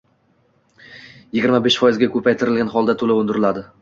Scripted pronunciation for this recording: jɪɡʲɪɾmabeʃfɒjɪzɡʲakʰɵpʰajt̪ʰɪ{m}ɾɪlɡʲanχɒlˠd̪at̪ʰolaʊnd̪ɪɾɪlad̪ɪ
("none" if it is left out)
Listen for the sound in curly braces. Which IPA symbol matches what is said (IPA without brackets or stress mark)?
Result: none